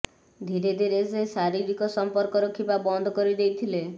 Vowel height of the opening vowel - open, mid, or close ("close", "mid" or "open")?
close